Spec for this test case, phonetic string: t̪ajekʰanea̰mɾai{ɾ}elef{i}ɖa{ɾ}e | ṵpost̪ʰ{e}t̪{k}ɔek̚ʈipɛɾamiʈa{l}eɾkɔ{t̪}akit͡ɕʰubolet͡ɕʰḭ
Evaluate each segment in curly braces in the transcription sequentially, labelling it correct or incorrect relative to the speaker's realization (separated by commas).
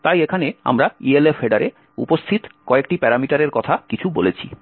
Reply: incorrect, incorrect, correct, incorrect, correct, incorrect, incorrect